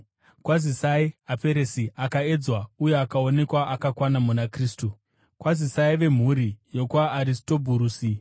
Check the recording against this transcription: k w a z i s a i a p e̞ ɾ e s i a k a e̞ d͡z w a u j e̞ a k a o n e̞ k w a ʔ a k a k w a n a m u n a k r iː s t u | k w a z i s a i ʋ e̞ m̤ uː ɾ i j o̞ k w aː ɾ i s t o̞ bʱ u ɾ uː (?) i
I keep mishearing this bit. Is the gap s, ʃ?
s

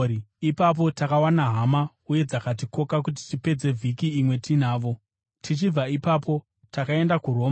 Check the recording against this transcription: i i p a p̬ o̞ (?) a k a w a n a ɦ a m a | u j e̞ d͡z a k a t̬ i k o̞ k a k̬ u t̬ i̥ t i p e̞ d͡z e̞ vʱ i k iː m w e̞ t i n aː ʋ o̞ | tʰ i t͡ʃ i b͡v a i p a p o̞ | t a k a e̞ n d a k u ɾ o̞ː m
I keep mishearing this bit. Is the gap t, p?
t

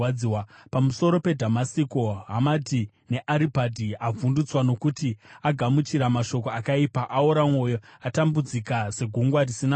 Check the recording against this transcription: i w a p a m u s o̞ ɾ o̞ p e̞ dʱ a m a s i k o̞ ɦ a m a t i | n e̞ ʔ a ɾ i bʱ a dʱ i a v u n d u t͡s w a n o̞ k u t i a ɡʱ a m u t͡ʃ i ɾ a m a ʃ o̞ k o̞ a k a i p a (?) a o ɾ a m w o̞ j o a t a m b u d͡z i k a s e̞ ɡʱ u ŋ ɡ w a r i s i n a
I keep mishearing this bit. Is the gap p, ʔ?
ʔ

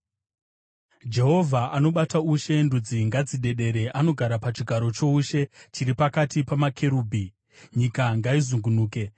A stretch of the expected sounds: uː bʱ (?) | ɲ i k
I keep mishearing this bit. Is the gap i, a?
i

